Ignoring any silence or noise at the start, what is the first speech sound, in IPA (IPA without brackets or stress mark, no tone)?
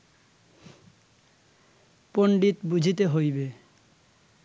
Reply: p